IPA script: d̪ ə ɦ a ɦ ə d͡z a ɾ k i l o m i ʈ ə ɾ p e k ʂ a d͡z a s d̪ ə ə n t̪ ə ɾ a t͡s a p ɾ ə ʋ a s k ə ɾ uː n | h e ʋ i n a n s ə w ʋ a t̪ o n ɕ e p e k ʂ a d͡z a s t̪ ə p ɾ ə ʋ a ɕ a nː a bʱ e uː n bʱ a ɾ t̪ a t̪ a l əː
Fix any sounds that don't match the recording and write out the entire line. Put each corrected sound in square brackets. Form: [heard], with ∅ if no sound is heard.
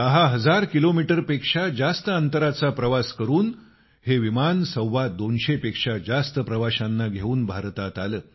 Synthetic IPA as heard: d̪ ə ɦ a ɦ ə d͡z a ɾ k i l o m i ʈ ə ɾ p e k ʂ a d͡z a s [t̪] ə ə n t̪ ə ɾ a t͡s a p ɾ ə ʋ a s k ə ɾ uː n | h e ʋ i [m] a n s ə w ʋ a [d̪] o n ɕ e p e k ʂ a d͡z a s t̪ ə p ɾ ə ʋ a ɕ a nː a [ɡʱ] e uː n bʱ a ɾ t̪ a t̪ a l əː